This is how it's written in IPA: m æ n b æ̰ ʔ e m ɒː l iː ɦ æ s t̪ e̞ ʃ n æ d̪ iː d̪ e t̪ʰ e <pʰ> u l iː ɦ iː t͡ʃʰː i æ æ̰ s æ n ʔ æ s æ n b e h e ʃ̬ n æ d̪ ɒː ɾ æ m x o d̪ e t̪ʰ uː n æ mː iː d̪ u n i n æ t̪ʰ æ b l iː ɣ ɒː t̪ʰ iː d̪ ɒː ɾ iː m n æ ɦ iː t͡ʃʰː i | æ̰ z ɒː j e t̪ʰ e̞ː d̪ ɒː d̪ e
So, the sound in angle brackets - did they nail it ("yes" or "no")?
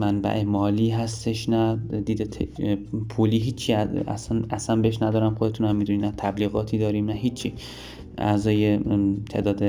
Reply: yes